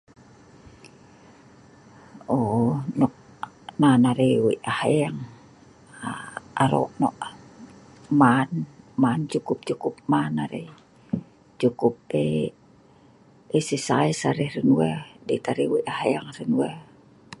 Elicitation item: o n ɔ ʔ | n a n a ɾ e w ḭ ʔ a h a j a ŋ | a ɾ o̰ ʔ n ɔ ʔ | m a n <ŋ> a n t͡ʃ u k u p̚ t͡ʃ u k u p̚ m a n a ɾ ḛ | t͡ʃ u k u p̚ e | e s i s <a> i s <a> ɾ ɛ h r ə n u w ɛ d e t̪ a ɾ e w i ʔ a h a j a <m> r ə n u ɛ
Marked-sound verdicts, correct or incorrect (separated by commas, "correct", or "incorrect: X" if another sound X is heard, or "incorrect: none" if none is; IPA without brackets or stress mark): incorrect: m, correct, correct, incorrect: ŋ